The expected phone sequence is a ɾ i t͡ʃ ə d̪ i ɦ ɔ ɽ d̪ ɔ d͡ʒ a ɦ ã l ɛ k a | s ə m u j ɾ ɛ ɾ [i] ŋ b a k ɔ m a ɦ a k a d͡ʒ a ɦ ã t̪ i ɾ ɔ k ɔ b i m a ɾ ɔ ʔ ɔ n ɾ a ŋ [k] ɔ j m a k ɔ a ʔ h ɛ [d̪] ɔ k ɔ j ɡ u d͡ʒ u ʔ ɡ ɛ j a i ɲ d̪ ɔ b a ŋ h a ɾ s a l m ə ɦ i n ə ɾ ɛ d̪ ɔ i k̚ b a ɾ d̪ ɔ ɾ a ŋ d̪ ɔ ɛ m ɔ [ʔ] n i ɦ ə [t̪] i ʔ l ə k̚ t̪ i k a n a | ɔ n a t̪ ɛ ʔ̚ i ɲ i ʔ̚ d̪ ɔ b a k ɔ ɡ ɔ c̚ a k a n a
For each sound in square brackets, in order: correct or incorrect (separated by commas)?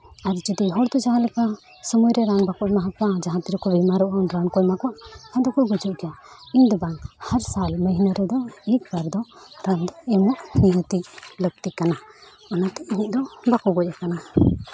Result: incorrect, correct, correct, correct, correct